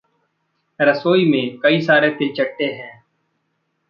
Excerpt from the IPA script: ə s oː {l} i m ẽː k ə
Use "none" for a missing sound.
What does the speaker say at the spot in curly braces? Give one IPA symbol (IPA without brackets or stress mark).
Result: none